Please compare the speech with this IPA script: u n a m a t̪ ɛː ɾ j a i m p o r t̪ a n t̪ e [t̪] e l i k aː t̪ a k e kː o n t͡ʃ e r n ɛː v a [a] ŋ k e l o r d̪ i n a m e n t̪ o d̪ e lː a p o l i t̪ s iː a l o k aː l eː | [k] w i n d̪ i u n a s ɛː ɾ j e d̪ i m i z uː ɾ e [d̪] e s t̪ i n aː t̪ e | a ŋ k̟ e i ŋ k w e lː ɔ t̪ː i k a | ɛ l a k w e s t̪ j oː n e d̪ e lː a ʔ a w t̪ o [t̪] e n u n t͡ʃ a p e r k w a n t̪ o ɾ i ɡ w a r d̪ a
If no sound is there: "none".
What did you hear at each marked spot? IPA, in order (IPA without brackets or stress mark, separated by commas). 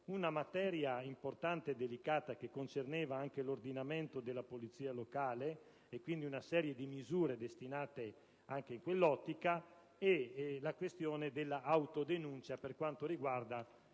d̪, a, k, d̪, d̪